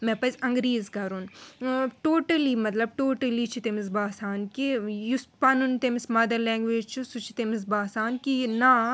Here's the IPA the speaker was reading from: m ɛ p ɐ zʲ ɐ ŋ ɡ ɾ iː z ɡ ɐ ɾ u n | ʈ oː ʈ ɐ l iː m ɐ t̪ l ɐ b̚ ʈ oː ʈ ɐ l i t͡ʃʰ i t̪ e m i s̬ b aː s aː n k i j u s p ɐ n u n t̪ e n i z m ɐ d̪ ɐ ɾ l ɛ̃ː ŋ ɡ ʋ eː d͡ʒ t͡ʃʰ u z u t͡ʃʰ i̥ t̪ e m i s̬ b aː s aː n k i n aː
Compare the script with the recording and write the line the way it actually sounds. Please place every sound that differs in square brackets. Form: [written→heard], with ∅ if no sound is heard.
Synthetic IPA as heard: m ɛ p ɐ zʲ ɐ ŋ ɡ ɾ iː z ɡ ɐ ɾ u n | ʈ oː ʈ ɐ l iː m ɐ t̪ l ɐ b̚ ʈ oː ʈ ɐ l i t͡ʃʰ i t̪ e m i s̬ b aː s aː n k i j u s p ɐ n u n t̪ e [n→m] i [z→s] m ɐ d̪ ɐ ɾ l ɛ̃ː ŋ ɡ ʋ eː d͡ʒ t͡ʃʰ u [z→s] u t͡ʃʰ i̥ t̪ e m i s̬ b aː s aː n k i n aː